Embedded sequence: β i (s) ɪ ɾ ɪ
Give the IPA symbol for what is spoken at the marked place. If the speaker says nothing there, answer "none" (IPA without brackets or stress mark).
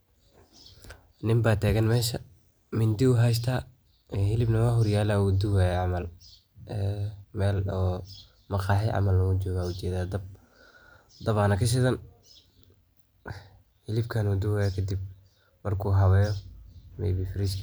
f